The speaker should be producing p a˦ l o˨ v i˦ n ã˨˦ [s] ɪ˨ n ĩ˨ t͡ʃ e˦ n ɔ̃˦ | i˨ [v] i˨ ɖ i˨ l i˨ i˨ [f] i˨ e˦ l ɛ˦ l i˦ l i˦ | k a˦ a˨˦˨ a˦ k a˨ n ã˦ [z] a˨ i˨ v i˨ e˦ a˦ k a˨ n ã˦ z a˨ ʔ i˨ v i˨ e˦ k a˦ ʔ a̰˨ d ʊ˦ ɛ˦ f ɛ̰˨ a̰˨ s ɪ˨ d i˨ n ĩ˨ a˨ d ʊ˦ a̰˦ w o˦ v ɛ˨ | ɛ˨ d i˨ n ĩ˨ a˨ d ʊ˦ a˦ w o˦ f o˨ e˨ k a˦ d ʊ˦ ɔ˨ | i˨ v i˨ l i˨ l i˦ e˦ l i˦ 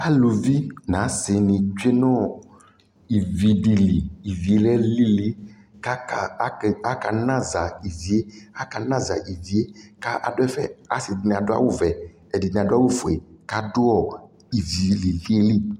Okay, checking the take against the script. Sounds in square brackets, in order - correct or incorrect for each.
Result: correct, correct, incorrect: v, correct

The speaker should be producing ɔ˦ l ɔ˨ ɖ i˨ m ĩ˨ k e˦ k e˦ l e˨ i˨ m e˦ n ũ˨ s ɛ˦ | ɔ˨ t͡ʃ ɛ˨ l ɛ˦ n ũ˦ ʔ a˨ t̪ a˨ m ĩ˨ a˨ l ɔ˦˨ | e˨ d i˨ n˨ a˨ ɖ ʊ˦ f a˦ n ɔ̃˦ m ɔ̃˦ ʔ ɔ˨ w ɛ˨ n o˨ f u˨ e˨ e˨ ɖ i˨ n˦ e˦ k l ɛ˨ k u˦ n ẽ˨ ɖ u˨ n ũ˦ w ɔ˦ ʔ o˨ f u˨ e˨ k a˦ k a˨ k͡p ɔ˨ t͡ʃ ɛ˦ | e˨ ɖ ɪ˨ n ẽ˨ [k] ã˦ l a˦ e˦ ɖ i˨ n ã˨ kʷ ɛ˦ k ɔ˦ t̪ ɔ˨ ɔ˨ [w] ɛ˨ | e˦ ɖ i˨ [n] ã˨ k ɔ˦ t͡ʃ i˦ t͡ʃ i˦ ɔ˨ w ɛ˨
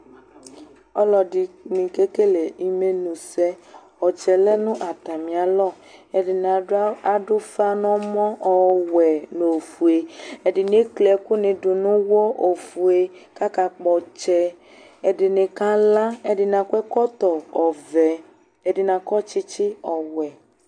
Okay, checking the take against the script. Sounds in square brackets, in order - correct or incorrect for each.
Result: correct, incorrect: v, correct

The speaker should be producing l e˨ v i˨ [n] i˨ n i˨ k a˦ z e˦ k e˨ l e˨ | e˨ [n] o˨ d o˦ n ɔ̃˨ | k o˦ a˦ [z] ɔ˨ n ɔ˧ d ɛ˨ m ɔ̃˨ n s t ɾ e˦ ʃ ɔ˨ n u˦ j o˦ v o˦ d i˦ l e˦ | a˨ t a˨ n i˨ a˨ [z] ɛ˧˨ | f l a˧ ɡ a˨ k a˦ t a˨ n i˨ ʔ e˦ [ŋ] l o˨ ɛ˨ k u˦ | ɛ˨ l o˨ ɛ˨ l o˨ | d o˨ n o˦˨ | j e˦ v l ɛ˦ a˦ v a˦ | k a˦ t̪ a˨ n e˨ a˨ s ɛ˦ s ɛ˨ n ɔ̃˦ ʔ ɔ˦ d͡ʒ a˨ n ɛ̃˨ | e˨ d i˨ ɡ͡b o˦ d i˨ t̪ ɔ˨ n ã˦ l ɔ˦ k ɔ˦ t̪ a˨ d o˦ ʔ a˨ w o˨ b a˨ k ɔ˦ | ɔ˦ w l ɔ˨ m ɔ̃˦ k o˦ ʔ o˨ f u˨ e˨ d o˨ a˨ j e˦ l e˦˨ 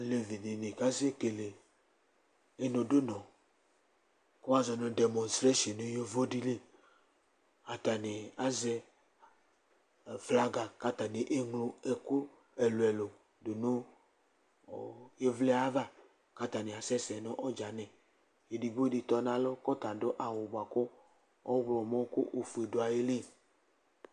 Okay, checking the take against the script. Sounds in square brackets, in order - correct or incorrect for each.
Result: correct, correct, correct, correct, correct

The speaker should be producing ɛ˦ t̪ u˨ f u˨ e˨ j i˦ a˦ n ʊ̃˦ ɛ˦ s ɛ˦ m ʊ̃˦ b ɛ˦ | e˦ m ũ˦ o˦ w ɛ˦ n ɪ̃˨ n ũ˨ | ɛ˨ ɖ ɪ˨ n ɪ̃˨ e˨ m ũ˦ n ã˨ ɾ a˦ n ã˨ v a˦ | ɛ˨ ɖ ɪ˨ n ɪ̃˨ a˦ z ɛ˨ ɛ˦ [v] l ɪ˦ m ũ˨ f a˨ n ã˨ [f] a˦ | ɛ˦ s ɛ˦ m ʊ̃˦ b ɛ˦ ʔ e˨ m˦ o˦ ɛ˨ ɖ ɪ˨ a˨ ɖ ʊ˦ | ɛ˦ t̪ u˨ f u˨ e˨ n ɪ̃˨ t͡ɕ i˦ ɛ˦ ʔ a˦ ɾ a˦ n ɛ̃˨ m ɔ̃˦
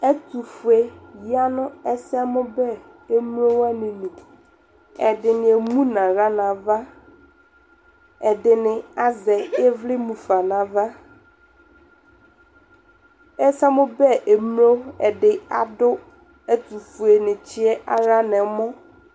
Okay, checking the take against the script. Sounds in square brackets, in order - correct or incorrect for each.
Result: correct, incorrect: v

